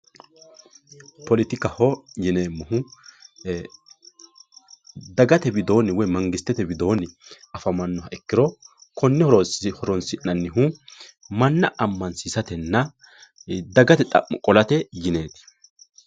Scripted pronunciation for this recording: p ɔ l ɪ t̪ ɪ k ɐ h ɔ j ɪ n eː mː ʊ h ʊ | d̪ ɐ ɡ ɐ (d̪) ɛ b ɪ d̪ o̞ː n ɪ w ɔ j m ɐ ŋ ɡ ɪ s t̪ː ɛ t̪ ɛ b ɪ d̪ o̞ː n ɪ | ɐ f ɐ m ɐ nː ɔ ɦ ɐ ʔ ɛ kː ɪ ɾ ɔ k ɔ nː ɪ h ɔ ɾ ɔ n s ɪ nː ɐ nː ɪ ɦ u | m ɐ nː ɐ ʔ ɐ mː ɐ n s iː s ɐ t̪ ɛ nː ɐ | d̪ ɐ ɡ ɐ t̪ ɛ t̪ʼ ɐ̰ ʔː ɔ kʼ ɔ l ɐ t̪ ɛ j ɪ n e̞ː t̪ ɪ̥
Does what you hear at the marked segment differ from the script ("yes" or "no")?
yes